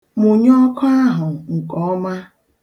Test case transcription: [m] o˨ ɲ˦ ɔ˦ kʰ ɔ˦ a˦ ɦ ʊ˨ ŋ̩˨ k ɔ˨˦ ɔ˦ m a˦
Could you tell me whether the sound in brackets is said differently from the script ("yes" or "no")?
no